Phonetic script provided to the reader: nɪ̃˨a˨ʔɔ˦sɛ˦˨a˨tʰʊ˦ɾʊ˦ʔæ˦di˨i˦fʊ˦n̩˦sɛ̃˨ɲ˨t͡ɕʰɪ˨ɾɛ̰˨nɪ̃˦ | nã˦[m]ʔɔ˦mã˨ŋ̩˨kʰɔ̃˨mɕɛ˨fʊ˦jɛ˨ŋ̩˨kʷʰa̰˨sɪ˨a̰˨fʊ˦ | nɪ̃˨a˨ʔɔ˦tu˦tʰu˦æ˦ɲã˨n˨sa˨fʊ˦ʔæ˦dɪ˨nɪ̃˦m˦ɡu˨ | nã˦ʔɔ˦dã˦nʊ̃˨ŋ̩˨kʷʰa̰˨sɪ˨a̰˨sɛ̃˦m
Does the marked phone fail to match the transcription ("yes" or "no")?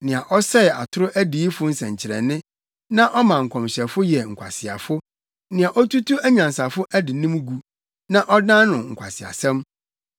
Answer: yes